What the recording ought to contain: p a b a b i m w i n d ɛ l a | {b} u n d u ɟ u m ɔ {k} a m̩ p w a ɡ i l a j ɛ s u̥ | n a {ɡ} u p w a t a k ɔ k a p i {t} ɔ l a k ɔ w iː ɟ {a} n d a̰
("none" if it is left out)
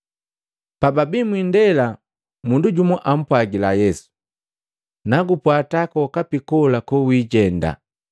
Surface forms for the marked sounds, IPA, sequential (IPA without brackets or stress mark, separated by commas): m, ʔ, ɡ, k, ɛ